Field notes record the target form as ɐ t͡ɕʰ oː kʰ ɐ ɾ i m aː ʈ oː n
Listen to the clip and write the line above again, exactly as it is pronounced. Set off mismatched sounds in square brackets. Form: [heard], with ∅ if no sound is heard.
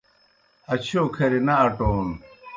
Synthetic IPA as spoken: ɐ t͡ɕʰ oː kʰ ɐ ɾ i [n] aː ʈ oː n